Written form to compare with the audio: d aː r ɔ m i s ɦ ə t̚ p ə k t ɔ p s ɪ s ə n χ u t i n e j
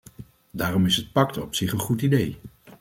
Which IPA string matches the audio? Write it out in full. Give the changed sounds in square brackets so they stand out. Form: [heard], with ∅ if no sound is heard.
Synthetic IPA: d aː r ɔ m [ɪ] s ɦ ə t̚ p [ɑ] k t ɔ p s ɪ [χ] ə n χ u t i [d] e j